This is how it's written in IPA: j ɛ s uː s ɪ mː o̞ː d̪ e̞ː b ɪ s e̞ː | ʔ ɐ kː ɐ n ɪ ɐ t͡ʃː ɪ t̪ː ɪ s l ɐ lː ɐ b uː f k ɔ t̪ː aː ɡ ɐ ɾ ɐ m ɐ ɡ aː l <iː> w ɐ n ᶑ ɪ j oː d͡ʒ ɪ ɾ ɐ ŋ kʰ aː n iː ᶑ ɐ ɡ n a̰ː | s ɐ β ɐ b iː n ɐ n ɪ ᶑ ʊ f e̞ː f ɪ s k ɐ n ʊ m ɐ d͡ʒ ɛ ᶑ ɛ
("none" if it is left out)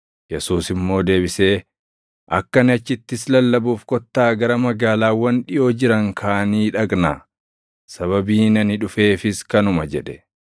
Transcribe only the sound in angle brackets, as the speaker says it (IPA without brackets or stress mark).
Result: aː